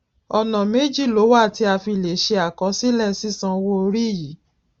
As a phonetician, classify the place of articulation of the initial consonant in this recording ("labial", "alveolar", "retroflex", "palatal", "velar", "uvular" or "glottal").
alveolar